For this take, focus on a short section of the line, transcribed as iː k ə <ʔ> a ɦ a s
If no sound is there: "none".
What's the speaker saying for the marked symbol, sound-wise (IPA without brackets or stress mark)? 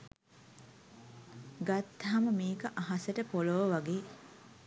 ʔ